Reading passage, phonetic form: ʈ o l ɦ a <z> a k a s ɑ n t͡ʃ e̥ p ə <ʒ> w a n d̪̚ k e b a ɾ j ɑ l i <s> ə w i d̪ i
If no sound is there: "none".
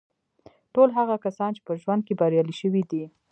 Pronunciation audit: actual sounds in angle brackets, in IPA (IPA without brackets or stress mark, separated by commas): ɣ, ʒ, ʃ